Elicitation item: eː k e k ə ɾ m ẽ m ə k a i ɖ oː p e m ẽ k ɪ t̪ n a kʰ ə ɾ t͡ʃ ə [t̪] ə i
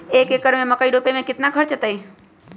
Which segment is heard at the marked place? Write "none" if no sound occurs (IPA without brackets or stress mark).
t̪